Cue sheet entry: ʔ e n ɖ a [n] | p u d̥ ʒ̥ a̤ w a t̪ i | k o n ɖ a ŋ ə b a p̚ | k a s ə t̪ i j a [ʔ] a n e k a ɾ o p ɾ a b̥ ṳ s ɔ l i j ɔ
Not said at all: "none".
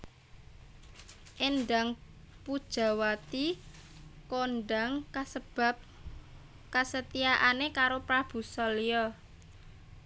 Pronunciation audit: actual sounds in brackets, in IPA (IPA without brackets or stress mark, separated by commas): ŋ, ʔ